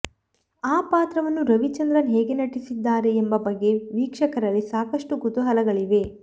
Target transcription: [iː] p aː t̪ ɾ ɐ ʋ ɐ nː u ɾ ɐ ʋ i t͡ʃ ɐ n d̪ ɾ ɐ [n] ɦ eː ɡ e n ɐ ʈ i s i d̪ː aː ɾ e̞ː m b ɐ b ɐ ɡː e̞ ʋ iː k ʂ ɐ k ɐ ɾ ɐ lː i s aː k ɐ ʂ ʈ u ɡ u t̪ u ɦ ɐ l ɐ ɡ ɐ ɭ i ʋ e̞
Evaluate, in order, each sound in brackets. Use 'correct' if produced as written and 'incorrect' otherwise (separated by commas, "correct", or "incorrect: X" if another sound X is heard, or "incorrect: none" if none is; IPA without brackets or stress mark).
incorrect: aː, correct